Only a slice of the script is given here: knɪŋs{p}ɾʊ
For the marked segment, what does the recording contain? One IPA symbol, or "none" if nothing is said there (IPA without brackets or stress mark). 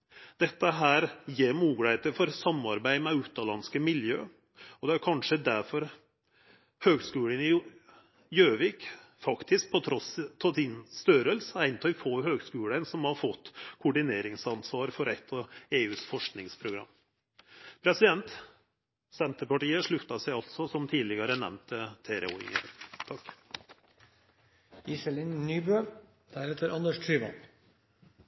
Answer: pʰ